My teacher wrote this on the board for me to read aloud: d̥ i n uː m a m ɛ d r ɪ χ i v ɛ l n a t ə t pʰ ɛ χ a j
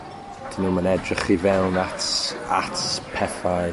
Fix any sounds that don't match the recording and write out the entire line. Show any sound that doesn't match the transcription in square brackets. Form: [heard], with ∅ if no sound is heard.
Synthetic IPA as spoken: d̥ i n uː m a [n] ɛ d r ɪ χ i v ɛ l n a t [a] t pʰ ɛ [f] a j